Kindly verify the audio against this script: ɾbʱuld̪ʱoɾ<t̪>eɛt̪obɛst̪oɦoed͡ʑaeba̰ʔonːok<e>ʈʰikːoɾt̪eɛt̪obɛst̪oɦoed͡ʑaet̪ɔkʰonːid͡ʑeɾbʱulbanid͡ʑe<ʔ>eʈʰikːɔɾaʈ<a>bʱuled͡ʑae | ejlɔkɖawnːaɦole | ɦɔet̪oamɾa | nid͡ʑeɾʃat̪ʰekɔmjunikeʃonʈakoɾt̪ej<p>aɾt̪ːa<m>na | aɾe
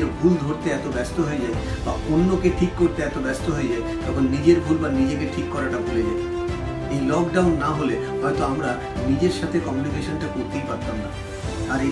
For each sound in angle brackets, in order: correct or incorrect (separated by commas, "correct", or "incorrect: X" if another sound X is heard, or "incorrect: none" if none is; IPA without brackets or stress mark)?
correct, correct, incorrect: k, correct, correct, correct